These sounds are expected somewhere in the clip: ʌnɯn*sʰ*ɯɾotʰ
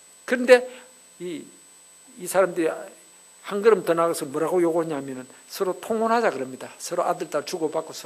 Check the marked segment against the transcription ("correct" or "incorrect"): correct